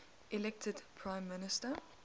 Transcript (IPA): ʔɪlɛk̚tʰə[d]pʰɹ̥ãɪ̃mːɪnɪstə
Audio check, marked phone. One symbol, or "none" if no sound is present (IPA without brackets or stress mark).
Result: d